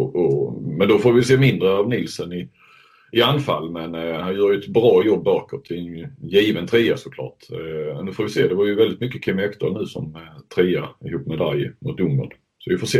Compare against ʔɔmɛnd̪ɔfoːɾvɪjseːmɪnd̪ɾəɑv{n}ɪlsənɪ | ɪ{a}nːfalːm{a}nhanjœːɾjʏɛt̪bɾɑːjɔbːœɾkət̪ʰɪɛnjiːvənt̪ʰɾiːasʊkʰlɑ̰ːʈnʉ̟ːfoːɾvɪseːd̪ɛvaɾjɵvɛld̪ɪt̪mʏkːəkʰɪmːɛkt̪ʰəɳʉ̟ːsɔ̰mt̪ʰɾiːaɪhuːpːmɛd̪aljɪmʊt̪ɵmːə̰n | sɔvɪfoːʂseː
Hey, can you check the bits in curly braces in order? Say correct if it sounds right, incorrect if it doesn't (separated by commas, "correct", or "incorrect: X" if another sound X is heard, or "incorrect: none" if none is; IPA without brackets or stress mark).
correct, correct, incorrect: ɛ